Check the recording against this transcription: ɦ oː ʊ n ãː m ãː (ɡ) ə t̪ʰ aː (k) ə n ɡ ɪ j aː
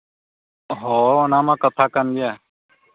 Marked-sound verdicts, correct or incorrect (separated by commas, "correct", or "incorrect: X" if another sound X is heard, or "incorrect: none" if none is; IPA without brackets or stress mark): incorrect: k, correct